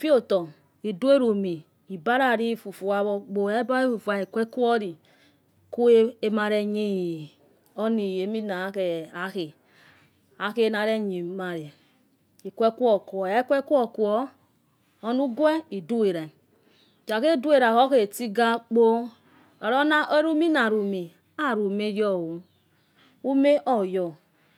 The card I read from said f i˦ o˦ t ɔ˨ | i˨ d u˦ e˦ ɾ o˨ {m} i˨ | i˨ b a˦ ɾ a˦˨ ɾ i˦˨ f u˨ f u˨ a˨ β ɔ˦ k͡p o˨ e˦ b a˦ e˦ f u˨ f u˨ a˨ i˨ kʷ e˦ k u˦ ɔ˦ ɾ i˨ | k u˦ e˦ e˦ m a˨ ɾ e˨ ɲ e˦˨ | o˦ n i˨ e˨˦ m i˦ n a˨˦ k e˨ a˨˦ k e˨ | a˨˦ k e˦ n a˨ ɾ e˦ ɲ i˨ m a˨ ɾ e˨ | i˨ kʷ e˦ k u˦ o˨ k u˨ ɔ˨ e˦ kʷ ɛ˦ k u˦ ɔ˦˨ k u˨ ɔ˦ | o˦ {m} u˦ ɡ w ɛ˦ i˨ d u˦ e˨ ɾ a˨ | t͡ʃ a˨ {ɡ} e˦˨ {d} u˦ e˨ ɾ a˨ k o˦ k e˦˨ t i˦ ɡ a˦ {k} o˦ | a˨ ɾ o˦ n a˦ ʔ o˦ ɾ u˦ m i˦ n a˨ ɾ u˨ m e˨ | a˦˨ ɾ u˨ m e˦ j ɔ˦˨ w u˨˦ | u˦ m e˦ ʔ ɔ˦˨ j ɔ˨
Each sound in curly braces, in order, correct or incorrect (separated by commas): correct, incorrect, incorrect, correct, incorrect